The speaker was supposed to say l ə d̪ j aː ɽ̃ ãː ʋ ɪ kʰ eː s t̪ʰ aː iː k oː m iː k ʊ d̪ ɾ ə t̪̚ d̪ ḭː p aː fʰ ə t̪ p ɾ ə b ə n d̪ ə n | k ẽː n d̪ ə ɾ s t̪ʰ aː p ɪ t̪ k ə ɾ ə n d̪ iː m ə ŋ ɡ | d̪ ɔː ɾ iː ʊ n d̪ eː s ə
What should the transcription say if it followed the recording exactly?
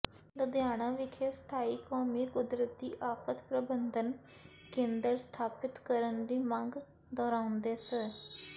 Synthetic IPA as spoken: l ə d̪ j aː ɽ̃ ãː ʋ ɪ kʰ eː s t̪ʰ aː iː k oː m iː k ʊ d̪ ɾ ə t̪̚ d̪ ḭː ʔ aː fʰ ə t̪ p ɾ ə b ə n d̪ ə n | k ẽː n d̪ ə ɾ s t̪ʰ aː p ɪ t̪ k ə ɾ ə n d̪ iː m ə ŋ ɡ | d̪ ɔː ɾ aː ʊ n d̪ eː s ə